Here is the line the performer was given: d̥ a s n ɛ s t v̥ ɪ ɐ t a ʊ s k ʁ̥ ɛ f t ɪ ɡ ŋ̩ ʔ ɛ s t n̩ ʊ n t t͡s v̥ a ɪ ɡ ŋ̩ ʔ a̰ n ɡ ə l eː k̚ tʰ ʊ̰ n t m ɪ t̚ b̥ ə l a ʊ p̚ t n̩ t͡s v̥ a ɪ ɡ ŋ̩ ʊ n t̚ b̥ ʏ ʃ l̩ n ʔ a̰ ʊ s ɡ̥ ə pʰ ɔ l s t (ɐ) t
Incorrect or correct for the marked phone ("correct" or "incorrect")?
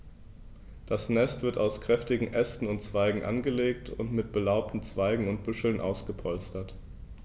correct